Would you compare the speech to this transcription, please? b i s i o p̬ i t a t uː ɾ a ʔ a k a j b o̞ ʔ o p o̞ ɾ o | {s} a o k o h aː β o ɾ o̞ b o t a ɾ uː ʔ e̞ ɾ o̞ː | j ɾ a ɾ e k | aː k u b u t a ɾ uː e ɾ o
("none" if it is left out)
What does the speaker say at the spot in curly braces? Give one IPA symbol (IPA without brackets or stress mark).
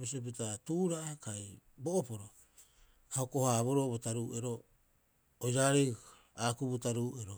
h